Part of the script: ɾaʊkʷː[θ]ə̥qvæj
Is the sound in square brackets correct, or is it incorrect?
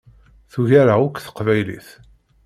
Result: correct